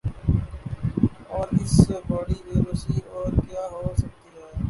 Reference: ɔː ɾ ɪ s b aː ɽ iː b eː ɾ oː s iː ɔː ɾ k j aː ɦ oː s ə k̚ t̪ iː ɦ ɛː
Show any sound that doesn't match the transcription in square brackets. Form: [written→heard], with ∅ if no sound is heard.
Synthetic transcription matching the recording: ɔː ɾ ɪ s b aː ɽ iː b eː ɾ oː s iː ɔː ɾ k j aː ɦ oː s ə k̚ t̪ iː ɦ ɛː

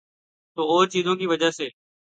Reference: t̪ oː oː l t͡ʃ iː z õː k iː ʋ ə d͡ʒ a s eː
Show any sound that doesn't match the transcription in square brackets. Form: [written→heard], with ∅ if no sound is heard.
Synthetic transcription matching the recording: t̪ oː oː [l→ɾ] t͡ʃ iː z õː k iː ʋ ə d͡ʒ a s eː

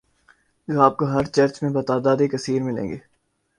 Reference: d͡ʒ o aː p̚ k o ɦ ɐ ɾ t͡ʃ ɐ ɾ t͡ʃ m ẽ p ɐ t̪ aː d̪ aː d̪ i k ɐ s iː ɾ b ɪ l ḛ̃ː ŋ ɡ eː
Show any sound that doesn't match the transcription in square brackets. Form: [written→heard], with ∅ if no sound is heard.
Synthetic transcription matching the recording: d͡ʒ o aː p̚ k o ɦ ɐ ɾ t͡ʃ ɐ ɾ t͡ʃ m ẽ [p→b] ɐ t̪ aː d̪ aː d̪ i k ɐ s iː ɾ [b→m] ɪ l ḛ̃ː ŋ ɡ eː

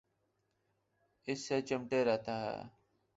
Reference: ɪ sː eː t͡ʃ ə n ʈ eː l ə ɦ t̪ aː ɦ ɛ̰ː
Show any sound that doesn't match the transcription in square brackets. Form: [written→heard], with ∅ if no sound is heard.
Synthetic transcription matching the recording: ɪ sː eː t͡ʃ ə [n→m] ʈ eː [l→ɾ] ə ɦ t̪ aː ɦ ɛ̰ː

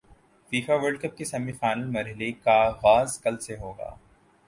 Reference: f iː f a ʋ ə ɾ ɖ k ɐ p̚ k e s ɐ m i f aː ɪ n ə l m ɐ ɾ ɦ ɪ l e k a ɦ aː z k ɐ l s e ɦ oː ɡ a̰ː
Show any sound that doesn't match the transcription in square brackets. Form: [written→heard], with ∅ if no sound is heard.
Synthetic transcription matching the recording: f iː f a ʋ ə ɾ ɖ k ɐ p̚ k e s ɐ m i f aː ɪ n ə l m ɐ ɾ ɦ ɪ l e k a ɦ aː z k ɐ l s e ɦ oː ɡ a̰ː

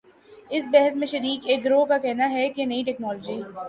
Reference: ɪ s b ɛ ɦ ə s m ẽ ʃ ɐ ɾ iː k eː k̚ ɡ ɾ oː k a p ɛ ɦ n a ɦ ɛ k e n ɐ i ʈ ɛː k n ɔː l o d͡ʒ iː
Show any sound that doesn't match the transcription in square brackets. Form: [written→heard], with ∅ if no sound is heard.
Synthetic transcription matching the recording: ɪ s b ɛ ɦ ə s m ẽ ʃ ɐ ɾ iː k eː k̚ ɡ ɾ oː k a [p→k] ɛ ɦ n a ɦ ɛ k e n ɐ i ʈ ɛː k n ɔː l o d͡ʒ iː

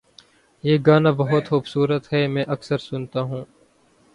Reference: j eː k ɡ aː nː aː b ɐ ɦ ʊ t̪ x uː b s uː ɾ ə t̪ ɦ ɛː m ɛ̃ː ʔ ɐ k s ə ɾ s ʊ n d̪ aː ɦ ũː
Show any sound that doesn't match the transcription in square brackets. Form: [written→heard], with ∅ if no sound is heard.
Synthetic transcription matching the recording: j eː [k→∅] ɡ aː [nː→n] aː b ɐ ɦ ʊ t̪ x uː b s uː ɾ ə t̪ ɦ ɛː m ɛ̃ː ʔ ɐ k s ə ɾ s ʊ n [d̪→t̪] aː ɦ ũː

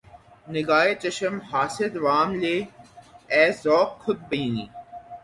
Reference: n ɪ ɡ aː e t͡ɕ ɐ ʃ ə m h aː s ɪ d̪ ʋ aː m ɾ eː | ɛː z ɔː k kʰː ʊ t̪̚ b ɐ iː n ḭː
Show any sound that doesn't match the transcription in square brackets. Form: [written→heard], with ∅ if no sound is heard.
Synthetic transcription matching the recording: n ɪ ɡ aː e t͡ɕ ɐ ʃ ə m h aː s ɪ d̪ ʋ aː m [ɾ→l] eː | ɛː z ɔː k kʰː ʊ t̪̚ b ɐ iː n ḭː

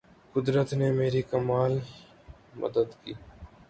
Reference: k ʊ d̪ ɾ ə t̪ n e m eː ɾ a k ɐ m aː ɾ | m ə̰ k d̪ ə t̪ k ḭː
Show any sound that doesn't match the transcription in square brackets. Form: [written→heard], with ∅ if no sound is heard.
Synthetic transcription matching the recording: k ʊ d̪ ɾ ə t̪ n e m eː ɾ [a→i] k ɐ m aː [ɾ→l] | m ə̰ [k→∅] d̪ ə [t̪→d̪] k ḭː

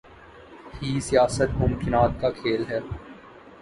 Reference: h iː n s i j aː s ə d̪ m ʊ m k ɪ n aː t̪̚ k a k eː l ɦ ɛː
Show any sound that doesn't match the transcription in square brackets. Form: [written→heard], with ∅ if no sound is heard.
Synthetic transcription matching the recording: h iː [n→∅] s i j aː s ə [d̪→t̪] m ʊ m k ɪ n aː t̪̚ k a [k→kʰ] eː l ɦ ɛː

